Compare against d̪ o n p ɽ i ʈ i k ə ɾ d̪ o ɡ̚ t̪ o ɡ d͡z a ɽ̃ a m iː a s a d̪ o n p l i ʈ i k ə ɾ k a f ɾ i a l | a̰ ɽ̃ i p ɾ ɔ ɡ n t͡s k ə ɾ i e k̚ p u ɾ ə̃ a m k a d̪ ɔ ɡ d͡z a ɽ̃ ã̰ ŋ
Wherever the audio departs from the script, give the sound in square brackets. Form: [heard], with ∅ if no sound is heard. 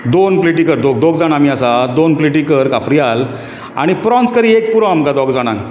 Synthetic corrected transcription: d̪ o n p [l] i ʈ i k ə ɾ d̪ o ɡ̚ [d̪] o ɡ d͡z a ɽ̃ a m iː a s a d̪ o n p l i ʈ i k ə ɾ k a f ɾ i a l | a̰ ɽ̃ i p ɾ ɔ [∅] n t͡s k ə ɾ i e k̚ p u ɾ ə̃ a m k a d̪ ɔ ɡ d͡z a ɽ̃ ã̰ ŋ